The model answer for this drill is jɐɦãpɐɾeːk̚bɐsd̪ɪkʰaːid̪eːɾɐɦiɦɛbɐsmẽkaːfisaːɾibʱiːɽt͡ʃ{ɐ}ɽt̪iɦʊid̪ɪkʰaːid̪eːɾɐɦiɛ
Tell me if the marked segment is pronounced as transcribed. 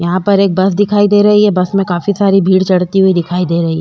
yes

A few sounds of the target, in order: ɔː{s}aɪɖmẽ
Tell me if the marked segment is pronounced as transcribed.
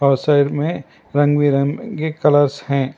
yes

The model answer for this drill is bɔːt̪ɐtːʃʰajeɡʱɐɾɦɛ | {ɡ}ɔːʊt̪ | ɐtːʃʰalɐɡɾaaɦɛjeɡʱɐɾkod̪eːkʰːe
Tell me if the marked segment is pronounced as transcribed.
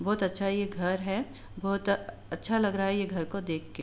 no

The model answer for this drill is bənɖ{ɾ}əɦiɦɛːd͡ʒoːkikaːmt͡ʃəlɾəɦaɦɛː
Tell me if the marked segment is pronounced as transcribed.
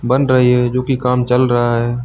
yes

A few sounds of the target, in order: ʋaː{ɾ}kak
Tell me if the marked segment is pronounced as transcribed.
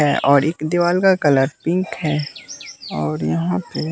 no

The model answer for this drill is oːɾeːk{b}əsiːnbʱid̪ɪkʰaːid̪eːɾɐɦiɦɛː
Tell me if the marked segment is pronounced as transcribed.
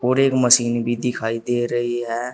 no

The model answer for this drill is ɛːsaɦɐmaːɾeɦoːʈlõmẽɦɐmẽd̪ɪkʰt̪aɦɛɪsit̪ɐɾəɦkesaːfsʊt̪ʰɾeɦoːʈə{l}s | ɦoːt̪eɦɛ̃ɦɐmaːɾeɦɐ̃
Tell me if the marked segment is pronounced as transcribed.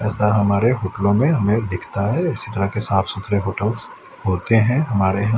yes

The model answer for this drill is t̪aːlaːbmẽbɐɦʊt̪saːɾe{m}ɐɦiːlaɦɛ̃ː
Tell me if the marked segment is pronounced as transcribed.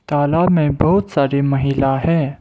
yes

